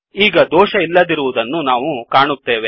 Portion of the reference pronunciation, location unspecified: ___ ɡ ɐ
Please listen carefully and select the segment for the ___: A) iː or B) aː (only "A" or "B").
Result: A